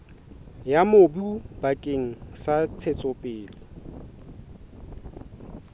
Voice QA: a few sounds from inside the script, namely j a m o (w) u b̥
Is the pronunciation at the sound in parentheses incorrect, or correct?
incorrect